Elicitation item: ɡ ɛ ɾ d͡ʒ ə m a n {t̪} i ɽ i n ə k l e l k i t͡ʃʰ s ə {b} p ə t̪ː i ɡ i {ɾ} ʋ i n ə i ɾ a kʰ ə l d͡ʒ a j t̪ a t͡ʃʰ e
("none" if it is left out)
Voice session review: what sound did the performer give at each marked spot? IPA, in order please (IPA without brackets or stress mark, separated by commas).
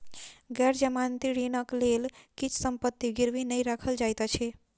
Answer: t̪, m, ɾ